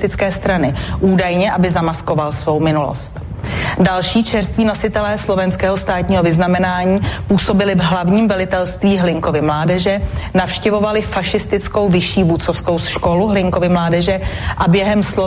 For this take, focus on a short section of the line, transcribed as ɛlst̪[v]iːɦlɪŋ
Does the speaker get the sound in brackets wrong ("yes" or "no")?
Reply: no